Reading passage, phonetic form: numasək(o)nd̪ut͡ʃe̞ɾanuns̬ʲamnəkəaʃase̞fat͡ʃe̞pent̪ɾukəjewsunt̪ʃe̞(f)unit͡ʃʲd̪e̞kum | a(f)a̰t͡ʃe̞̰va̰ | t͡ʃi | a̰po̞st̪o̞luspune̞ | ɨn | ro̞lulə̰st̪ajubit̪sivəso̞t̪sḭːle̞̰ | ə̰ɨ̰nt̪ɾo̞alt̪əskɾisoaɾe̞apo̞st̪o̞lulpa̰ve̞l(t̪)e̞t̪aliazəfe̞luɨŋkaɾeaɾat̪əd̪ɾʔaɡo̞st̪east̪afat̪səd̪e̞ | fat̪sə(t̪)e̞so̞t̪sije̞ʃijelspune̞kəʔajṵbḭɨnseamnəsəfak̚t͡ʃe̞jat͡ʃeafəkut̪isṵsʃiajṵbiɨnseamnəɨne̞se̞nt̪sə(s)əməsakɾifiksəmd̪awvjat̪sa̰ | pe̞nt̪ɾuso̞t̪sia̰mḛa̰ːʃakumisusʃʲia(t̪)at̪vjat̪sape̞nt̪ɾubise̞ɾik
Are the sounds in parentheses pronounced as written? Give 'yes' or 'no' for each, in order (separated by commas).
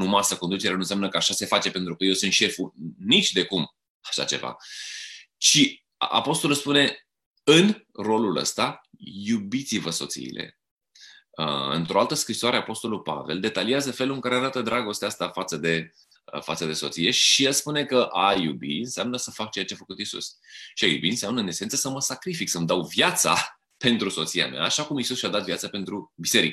yes, yes, no, no, no, yes, no